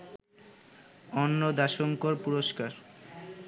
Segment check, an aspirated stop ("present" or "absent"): absent